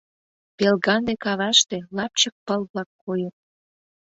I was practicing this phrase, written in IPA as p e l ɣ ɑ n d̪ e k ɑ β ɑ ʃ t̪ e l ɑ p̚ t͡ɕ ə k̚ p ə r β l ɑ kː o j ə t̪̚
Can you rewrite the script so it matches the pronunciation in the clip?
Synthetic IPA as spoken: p e l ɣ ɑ n d̪ e k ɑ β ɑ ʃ t̪ e l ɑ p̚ t͡ɕ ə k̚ p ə l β l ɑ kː o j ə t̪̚